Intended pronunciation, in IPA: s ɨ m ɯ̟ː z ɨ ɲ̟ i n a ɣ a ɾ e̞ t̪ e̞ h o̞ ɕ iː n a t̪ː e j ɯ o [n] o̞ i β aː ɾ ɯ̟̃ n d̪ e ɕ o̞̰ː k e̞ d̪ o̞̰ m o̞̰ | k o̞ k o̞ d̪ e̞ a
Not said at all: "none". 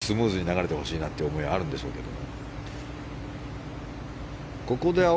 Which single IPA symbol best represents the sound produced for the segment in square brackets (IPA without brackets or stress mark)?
m